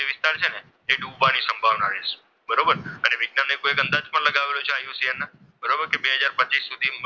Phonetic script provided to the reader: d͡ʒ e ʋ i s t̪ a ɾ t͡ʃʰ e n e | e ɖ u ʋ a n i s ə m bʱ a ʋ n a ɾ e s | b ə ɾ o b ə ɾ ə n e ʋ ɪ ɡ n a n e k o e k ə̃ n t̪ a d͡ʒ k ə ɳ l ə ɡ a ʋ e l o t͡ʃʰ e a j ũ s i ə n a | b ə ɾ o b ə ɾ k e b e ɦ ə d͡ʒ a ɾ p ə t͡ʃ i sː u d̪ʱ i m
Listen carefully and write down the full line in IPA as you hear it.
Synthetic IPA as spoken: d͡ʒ e ʋ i s t̪ a ɾ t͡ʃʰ e n e | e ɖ u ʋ a n i s ə m bʱ a ʋ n a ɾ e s | b ə ɾ o b ə ɾ ə n e ʋ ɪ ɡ n a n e k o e k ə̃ n d̪ a d͡ʒ p ə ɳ l ə ɡ a ʋ e l o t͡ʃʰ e a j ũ s i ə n a | b ə ɾ o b ə ɾ k e b e ɦ ə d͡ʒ a ɾ p ə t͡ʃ i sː u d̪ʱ i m